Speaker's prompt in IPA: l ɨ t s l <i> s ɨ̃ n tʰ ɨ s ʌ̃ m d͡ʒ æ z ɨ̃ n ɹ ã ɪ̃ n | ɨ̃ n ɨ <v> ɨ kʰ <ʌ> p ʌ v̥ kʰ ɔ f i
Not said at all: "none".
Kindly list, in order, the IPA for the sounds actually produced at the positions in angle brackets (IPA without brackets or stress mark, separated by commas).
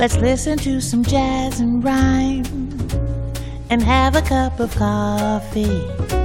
ɪ, v, ʌ